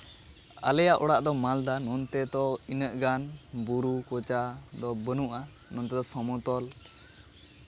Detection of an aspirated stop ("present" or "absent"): absent